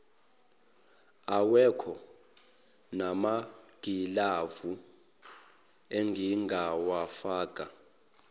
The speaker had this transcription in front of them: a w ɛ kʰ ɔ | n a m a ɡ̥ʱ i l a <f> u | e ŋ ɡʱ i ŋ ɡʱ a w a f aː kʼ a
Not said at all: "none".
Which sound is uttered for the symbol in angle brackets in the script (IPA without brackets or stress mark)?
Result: v